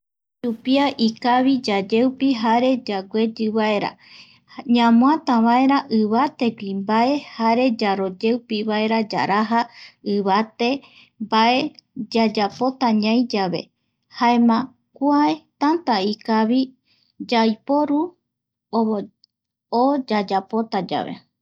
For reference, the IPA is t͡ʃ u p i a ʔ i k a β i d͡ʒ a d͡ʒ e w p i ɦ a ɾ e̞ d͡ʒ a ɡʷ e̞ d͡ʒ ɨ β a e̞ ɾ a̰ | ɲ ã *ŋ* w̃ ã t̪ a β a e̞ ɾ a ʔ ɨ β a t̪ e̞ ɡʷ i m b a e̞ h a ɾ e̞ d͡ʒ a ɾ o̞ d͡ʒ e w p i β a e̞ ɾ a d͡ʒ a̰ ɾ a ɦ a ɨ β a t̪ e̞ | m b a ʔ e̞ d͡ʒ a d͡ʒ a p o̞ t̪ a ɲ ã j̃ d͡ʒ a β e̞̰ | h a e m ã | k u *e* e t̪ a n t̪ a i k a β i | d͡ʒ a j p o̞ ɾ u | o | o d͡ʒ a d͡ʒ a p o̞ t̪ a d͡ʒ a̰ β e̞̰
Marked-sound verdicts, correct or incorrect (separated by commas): incorrect, incorrect